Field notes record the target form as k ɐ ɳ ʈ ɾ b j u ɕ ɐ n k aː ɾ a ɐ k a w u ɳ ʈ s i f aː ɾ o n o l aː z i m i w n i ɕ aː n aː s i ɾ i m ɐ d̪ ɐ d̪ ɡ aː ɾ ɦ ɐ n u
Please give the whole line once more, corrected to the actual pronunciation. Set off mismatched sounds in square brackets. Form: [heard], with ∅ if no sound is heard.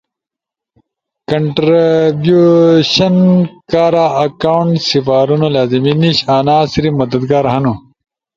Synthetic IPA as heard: k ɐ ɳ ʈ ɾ b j u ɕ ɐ n k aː ɾ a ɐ k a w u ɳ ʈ s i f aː ɾ [u] n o l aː z i m i [∅] n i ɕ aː n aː s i ɾ i m ɐ d̪ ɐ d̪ ɡ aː ɾ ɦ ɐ n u